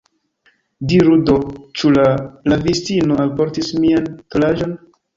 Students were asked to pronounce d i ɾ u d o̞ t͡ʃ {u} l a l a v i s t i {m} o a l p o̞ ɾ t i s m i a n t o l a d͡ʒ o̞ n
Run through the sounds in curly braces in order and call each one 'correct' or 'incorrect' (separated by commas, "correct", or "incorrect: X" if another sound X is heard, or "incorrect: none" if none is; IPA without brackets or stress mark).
correct, incorrect: n